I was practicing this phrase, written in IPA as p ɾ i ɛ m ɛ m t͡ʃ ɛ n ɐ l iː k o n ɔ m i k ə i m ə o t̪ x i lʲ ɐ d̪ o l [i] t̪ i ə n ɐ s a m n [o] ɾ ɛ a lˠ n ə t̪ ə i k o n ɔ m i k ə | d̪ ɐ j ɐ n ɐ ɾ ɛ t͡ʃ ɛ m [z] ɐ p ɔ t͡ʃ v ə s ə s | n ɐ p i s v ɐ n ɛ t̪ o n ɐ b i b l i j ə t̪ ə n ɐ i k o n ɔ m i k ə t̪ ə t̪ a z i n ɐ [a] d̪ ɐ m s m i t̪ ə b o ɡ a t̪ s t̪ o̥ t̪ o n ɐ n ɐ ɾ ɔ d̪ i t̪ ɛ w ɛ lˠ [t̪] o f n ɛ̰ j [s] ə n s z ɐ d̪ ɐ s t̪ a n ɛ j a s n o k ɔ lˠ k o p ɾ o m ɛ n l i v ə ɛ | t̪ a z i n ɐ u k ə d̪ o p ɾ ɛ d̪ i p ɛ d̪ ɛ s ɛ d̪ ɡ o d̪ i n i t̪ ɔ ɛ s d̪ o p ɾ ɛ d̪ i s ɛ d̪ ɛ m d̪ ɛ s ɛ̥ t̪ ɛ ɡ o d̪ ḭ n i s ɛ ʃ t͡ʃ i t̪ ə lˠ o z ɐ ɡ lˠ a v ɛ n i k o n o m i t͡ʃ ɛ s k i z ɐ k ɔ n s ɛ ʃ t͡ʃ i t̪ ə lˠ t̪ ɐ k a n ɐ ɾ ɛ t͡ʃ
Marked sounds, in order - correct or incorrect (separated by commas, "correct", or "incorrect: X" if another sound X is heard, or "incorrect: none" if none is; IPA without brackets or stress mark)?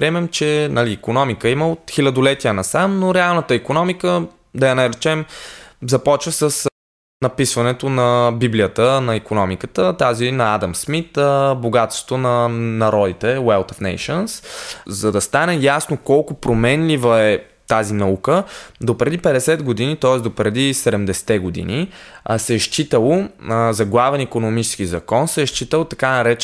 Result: incorrect: ɛ, correct, correct, correct, correct, incorrect: ʃ